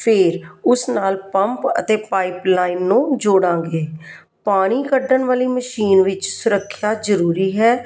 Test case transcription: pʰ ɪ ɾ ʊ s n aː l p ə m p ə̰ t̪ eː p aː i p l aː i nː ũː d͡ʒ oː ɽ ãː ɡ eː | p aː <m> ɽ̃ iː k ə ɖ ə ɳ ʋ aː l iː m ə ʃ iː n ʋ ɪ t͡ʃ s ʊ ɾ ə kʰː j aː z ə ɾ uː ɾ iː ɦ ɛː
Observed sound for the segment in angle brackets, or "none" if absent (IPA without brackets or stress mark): none